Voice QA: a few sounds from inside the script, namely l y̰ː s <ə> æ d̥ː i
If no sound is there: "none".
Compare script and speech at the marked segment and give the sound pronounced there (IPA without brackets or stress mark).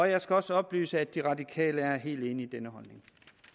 ə